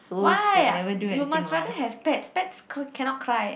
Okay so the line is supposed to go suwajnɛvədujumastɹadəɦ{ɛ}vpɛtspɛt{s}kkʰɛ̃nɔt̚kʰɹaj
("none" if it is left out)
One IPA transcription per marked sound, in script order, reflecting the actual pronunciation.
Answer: ɛ, s

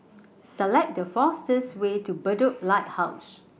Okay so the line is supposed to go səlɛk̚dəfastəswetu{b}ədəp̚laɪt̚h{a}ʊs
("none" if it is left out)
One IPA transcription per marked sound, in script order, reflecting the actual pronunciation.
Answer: b, a

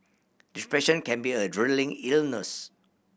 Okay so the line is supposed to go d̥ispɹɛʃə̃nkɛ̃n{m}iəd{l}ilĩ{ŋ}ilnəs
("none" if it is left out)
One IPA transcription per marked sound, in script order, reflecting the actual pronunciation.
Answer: b, ɹ, ŋ

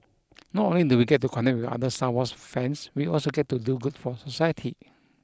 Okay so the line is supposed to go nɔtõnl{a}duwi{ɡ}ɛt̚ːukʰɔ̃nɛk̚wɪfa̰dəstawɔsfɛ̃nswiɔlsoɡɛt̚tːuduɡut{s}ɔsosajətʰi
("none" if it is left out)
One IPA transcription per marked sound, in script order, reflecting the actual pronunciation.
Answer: i, ɡ, f

